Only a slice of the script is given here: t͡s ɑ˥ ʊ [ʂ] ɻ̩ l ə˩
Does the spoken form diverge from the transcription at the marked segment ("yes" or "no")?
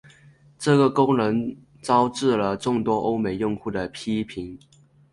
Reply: yes